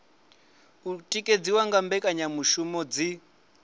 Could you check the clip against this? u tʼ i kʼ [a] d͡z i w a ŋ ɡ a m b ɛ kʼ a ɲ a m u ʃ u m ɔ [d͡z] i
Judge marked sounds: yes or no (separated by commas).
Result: no, yes